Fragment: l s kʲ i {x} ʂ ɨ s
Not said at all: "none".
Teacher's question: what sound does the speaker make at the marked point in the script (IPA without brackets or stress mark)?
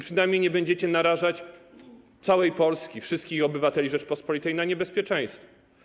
f